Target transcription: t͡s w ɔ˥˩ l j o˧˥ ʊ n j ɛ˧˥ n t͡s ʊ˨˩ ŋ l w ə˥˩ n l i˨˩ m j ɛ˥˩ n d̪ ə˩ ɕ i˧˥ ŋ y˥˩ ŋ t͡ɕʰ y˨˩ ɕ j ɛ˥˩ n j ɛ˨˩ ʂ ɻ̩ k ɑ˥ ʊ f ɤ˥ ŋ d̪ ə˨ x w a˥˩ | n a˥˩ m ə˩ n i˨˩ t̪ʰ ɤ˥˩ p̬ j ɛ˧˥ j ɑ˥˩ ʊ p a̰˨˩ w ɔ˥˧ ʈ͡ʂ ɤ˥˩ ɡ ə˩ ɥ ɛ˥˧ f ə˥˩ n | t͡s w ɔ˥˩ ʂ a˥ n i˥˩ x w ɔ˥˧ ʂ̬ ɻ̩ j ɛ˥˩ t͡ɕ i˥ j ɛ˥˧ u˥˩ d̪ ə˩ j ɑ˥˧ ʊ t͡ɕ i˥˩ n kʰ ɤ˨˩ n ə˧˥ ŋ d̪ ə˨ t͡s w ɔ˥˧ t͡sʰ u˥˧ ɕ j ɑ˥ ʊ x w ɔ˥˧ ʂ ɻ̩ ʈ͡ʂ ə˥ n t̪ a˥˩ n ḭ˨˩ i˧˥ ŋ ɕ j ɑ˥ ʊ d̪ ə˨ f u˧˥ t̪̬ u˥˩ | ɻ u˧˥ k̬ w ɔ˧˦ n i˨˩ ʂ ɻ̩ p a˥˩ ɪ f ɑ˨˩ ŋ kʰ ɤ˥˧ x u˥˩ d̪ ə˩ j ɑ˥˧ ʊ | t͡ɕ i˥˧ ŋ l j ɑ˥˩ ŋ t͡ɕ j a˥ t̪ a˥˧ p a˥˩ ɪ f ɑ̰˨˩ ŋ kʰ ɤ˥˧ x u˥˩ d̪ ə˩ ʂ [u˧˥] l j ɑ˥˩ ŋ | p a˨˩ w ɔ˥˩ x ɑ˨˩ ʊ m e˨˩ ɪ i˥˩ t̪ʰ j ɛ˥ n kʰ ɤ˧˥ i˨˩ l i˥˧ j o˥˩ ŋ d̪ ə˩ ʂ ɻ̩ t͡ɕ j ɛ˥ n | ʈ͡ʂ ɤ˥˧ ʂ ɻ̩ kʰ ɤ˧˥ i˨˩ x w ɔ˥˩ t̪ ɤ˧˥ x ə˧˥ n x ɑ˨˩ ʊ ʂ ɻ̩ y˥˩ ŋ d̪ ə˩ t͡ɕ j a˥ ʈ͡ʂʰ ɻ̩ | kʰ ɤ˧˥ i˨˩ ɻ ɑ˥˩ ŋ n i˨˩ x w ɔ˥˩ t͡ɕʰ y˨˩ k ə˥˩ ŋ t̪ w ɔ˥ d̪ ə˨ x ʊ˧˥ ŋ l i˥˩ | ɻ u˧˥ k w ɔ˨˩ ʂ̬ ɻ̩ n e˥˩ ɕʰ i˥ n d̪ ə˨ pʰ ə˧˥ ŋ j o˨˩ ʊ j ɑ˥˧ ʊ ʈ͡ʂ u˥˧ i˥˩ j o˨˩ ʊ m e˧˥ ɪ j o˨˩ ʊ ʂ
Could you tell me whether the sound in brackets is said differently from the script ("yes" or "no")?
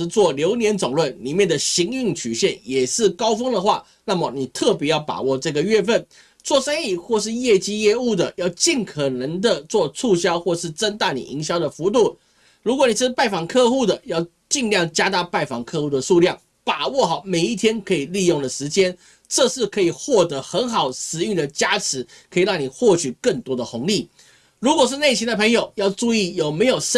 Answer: yes